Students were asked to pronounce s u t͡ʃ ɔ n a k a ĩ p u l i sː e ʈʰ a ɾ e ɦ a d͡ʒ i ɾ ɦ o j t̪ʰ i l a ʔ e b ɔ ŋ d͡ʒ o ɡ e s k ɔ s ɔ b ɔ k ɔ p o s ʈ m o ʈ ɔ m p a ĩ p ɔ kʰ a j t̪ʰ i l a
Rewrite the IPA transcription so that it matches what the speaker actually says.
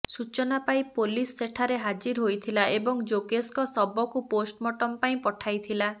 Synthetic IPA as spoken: s u t͡ʃ ɔ n a p a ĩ p o l i sː e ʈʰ a ɾ e ɦ a d͡ʒ i ɾ ɦ o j t̪ʰ i l a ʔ e b ɔ ŋ d͡ʒ o ɡ e s k ɔ s ɔ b ɔ k u p o s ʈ m ɔ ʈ ɔ m p a ĩ p ɔ ʈʰ a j t̪ʰ i l a

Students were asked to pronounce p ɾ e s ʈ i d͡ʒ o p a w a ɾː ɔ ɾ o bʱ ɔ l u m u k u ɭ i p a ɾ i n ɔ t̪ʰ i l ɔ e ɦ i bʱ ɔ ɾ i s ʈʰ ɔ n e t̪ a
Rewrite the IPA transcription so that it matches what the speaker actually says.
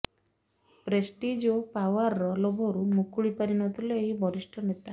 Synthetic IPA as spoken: p ɾ e s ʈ i d͡ʒ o p a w a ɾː ɔ l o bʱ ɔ ɾ u m u k u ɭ i p a ɾ i n ɔ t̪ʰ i l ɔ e ɦ i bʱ ɔ ɾ i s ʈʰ ɔ n e t̪ a

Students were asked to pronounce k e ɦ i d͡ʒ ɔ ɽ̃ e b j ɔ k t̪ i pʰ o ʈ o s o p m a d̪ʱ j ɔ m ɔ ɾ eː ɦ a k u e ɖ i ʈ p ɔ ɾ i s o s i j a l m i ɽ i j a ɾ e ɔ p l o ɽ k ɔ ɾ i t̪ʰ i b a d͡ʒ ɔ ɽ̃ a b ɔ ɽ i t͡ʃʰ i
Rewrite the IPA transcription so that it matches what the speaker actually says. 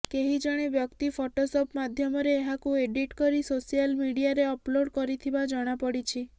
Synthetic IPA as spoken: k e ɦ i d͡ʒ ɔ ɽ̃ e b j ɔ k t̪ i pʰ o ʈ o s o p m a d̪ʱ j ɔ m ɔ ɾ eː ɦ a k u e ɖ i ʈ k ɔ ɾ i s o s i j a l m i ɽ i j a ɾ e ɔ p l o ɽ k ɔ ɾ i t̪ʰ i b a d͡ʒ ɔ ɽ̃ a p ɔ ɽ i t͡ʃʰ i

